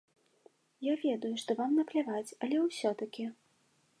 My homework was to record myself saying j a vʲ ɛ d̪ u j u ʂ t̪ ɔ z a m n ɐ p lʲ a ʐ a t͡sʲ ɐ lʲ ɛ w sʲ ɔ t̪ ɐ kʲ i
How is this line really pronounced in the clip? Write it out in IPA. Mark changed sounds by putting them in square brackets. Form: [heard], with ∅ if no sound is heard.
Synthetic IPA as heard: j a vʲ ɛ d̪ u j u ʂ t̪ ɔ [v] a m n ɐ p lʲ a [v] a t͡sʲ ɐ lʲ ɛ w sʲ ɔ t̪ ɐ kʲ i